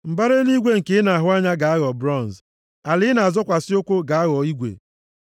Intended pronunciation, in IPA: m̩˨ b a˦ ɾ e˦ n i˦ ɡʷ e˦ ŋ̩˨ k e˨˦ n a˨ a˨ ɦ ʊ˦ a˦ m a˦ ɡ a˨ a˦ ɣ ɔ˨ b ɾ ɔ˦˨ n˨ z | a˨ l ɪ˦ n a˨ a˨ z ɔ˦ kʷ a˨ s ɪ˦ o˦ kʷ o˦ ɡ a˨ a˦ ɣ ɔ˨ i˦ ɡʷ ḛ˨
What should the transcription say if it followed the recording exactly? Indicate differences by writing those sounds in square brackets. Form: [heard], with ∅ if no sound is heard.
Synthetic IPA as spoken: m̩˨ b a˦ ɾ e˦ n i˦ ɡʷ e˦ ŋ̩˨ k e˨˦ n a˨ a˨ ɦ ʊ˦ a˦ [ɲ] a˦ ɡ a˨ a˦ ɣ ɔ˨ b ɾ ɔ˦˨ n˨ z | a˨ l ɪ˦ n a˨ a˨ z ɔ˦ kʷ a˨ s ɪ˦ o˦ kʷ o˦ ɡ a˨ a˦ ɣ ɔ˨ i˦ ɡʷ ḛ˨